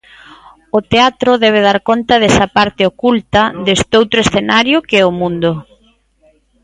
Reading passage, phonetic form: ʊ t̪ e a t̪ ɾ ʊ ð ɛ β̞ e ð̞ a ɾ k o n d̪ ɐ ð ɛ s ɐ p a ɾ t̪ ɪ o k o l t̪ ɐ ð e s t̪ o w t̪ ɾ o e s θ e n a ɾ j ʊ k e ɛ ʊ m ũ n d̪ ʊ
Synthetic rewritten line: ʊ t̪ e a t̪ ɾ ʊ ð ɛ β̞ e ð̞ a ɾ k o n t̪ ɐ ð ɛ s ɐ p a ɾ t̪ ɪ o k u l t̪ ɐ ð e s t̪ o w t̪ ɾ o e s θ e n a ɾ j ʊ k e ɛ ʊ m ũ n d̪ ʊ